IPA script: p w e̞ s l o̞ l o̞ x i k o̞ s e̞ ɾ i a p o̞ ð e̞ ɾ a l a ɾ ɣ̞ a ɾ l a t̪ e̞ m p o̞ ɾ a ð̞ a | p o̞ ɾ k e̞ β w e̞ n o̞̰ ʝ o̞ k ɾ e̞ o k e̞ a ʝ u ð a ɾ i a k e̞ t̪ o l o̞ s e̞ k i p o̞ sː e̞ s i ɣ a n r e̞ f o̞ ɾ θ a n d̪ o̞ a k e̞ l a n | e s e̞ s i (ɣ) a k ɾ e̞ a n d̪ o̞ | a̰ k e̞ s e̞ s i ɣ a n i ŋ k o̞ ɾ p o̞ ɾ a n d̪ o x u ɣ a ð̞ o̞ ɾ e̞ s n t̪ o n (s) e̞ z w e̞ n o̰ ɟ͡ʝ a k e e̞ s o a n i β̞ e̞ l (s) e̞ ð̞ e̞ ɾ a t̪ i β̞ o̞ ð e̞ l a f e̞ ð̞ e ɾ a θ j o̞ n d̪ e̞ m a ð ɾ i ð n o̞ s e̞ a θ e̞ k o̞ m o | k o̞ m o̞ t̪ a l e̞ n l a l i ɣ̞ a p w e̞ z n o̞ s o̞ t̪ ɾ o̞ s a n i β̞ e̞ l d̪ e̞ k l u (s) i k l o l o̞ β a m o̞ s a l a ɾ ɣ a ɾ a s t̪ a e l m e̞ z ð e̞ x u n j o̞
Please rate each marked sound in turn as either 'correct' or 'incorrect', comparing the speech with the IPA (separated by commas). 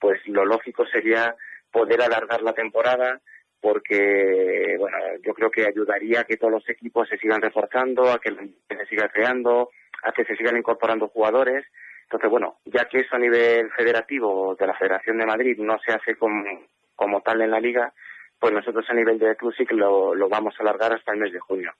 correct, incorrect, incorrect, correct